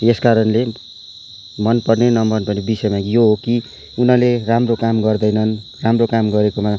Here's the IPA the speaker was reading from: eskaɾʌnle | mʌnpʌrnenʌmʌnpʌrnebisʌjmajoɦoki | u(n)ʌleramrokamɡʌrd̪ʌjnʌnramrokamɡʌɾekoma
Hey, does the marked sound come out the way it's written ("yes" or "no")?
yes